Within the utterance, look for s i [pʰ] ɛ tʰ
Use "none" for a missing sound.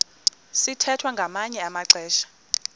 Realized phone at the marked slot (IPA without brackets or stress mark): tʰ